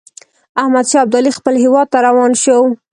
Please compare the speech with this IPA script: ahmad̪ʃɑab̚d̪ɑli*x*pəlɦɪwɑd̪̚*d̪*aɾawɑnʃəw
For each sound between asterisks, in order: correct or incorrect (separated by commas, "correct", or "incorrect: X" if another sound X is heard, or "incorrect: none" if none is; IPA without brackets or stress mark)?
correct, incorrect: t̪